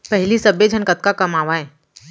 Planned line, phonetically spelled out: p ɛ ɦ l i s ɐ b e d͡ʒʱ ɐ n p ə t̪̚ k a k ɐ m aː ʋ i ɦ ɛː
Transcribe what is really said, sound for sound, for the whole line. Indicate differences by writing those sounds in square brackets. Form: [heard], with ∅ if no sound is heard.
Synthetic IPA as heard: p ɛ ɦ l i s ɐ b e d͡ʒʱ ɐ n [k] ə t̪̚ k a k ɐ m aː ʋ [a] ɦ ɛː